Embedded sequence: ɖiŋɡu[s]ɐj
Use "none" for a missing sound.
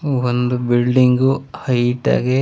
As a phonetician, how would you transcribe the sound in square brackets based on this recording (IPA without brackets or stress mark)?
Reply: h